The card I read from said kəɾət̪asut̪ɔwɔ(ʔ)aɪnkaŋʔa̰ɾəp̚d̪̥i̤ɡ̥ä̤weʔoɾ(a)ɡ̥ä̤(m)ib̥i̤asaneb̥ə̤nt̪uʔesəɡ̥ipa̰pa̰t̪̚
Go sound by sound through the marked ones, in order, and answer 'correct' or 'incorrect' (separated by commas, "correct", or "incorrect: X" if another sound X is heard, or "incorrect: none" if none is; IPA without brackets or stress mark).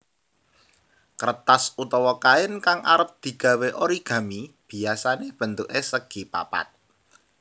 incorrect: k, incorrect: i, correct